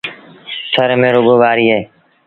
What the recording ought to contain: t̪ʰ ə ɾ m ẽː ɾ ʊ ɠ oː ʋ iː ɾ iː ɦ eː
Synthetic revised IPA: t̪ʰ ə ɾ m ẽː ɾ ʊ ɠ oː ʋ aː ɾ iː ɦ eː